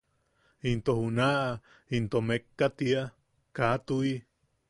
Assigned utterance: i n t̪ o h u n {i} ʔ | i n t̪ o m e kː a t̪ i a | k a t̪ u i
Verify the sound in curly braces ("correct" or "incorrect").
incorrect